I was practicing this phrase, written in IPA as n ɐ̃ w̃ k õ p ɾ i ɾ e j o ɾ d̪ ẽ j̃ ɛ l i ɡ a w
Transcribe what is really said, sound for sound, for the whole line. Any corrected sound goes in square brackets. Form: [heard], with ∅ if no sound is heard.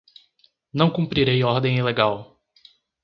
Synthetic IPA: n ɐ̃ w̃ k [ũ] p ɾ i ɾ e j [ɔ] ɾ d̪ ẽ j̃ [i] l [e] ɡ a w